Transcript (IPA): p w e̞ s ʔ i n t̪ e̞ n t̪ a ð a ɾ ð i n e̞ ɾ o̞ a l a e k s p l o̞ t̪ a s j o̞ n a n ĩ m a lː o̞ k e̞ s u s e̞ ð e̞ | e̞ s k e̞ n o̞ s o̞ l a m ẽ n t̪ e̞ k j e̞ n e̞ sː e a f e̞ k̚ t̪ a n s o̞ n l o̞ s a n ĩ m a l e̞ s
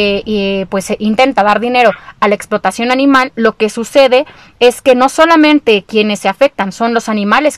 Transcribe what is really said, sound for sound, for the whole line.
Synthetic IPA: p w e̞ s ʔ i n t̪ e̞ n t̪ a ð a ɾ ð i n e̞ ɾ o̞ a l a e k s p l o̞ t̪ a s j o̞ n a n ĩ m a lː o̞ k e̞ s u s e̞ ð e̞ | e̞ s k e̞ n o̞ s o̞ l a m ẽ n t̪ e̞ k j e̞ n e̞ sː e a f e̞ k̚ t̪ a n s o̞ n l o̞ s a n ĩ m a l e̞ s